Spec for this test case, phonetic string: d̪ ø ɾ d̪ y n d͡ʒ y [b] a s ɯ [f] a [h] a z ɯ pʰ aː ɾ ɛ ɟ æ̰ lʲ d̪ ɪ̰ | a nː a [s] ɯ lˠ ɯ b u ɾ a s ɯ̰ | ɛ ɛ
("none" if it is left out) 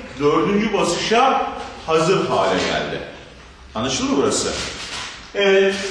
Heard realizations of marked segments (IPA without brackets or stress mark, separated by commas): b, ʃ, h, ʃ